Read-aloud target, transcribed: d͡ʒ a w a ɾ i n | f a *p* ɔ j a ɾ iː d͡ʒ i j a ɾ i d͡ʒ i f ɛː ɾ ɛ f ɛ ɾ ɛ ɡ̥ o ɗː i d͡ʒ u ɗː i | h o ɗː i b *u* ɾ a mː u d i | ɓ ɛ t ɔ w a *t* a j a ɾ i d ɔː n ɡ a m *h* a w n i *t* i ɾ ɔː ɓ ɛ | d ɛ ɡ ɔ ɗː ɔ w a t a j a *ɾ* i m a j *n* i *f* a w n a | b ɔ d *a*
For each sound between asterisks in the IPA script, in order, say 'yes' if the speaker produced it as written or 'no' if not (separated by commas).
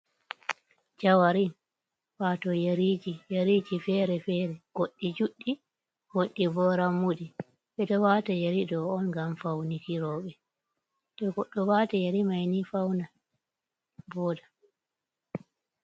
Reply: no, no, yes, no, no, yes, yes, yes, yes